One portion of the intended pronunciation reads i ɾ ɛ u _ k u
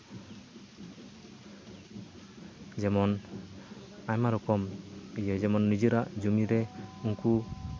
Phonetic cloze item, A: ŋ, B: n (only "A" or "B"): A